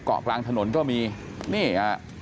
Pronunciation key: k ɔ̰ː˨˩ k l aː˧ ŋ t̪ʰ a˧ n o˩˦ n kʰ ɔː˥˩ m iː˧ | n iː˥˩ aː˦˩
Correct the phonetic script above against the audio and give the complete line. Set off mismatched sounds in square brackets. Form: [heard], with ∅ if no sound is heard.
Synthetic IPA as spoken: k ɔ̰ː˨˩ k l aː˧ ŋ t̪ʰ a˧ n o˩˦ n [k] ɔː˥˩ m iː˧ | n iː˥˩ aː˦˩